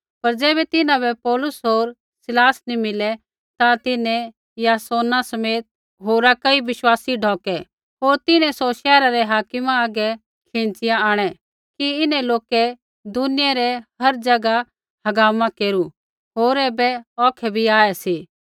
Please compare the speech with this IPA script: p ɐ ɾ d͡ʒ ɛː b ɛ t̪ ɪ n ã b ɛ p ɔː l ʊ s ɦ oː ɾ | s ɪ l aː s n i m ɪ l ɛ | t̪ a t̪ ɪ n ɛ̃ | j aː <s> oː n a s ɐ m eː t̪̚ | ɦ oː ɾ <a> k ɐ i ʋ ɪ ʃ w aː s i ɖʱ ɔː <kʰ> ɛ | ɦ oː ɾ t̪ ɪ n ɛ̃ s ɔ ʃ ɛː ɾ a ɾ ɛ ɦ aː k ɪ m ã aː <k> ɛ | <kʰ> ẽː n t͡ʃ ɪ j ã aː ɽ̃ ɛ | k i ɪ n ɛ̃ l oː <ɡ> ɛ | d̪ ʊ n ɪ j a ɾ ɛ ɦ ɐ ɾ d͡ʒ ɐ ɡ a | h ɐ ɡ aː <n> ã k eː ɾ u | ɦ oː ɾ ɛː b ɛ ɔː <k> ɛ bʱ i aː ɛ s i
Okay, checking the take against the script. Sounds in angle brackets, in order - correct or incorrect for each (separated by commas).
correct, correct, incorrect, incorrect, correct, incorrect, incorrect, incorrect